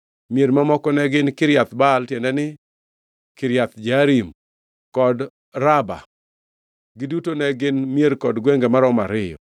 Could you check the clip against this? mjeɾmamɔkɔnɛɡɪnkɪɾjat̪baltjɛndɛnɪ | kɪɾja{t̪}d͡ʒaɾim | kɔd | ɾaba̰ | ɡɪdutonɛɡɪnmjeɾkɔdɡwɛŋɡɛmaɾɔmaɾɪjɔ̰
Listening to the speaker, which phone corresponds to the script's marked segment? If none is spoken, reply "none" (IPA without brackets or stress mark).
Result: t̪